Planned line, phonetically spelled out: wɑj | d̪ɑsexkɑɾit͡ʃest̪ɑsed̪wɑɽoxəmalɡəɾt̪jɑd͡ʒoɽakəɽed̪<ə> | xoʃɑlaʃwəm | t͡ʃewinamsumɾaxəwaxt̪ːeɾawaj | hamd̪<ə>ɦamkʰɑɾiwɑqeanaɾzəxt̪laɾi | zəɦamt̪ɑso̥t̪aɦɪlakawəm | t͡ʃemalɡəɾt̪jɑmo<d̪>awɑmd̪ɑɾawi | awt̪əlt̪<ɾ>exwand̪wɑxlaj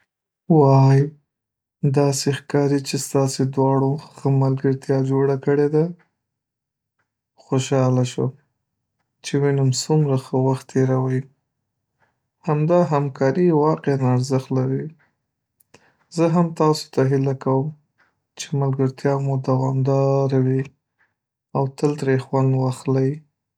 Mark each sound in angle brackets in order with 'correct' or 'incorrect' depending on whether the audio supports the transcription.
incorrect: a, incorrect: ɑ, correct, correct

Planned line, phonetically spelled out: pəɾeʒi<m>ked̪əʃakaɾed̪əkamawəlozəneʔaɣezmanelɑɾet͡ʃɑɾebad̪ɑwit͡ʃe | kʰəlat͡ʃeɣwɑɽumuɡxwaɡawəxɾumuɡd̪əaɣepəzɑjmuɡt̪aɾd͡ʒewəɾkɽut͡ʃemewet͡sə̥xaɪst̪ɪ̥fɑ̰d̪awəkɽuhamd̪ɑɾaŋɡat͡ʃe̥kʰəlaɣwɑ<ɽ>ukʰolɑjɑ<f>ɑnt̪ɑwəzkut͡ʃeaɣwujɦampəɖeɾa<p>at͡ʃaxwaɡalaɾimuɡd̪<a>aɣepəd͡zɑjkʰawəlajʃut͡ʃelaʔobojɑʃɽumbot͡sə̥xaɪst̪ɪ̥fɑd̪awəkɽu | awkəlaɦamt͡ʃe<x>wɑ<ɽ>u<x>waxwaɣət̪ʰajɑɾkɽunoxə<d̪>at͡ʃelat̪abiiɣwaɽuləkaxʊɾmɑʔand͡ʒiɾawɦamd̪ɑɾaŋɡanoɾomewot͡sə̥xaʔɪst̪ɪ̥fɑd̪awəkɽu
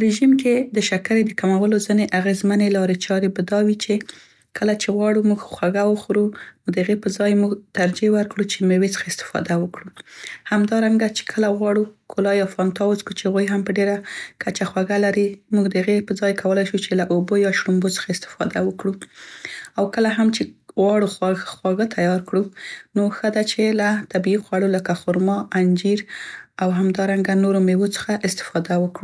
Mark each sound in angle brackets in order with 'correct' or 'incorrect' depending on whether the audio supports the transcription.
correct, correct, correct, incorrect: k, incorrect: ə, incorrect: ɣ, correct, correct, correct

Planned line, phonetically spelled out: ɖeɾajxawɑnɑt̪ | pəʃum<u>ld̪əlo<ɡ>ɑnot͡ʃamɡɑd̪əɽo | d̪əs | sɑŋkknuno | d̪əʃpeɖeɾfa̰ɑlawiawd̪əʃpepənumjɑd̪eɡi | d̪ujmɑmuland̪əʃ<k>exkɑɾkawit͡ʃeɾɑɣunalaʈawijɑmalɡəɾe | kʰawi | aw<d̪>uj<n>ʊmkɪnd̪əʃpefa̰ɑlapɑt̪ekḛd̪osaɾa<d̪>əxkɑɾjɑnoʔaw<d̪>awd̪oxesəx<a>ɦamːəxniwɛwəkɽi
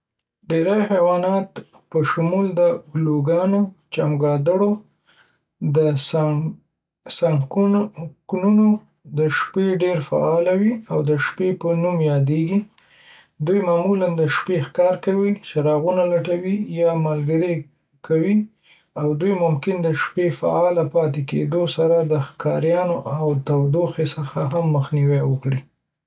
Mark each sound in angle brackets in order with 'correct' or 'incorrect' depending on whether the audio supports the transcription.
correct, correct, incorrect: p, correct, incorrect: m, correct, incorrect: t̪, correct

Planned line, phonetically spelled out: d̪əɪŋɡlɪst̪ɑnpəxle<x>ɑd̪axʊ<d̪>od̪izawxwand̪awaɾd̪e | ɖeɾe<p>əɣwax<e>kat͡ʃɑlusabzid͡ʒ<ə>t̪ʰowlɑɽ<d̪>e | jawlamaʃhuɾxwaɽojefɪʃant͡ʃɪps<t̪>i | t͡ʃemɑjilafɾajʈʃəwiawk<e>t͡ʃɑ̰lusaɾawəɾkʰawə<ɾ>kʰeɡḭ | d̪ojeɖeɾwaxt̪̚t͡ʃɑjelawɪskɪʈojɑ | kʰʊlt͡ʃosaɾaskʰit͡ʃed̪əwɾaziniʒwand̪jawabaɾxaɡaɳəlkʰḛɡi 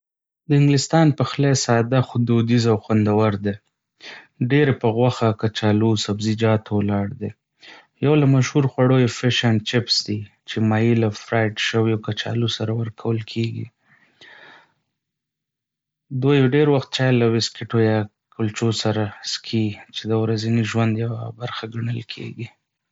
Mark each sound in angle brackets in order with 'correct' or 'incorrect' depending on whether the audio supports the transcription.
incorrect: s, correct, correct, incorrect: a, incorrect: ɑ, correct, incorrect: d̪, incorrect: a, incorrect: l

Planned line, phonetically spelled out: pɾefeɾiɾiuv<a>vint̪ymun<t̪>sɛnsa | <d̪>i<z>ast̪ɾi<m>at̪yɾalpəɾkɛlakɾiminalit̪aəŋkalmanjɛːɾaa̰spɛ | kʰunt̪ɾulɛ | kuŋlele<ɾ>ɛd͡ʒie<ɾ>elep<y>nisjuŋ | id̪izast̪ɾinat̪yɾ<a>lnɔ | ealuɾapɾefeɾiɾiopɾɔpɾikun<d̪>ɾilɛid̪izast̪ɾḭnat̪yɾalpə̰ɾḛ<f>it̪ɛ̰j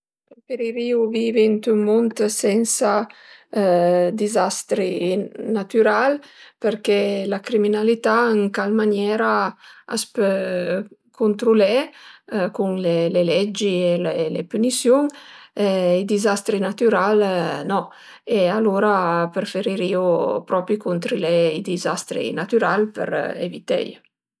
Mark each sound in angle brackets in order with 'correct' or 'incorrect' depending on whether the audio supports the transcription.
incorrect: i, correct, correct, correct, incorrect: n, incorrect: l, incorrect: l, correct, correct, incorrect: t̪, incorrect: v

